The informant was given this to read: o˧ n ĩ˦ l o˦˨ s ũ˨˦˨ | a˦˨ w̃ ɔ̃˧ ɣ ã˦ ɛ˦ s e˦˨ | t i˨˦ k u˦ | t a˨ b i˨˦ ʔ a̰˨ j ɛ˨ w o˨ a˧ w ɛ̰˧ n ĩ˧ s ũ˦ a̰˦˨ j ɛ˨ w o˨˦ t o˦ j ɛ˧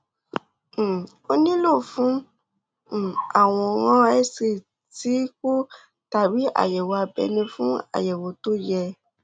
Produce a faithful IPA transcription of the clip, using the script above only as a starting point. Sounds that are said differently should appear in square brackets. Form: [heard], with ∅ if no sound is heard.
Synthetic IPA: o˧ n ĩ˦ l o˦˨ [f] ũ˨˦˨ | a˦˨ w̃ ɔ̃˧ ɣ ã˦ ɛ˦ s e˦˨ | t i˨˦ k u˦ | t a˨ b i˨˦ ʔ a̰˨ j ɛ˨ w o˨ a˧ [b] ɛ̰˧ n ĩ˧ [f] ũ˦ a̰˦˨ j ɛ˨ w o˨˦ t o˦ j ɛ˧